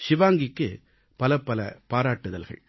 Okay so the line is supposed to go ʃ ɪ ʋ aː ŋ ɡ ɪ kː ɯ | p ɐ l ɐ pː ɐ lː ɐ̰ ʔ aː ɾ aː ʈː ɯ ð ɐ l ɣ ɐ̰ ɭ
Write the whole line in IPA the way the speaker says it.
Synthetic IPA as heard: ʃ ɪ ʋ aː ŋ ɡ ɪ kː ɯ | p ɐ l ɐ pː ɐ l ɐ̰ p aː ɾ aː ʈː ɯ ð ɐ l ɣ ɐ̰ ɭ